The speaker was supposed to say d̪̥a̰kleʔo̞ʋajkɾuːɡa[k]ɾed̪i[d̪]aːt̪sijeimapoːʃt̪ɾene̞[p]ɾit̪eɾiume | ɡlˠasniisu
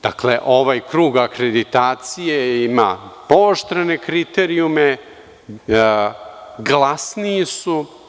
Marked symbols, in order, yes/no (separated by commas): yes, no, no